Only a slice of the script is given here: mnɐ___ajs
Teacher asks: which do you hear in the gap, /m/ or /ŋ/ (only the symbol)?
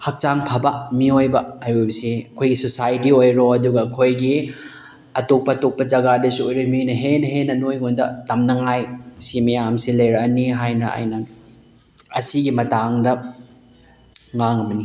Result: ŋ